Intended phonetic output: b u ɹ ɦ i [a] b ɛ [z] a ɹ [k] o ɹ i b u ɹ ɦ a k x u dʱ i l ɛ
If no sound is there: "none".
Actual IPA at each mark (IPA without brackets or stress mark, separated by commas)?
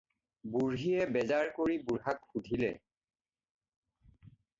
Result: ɛ, z, k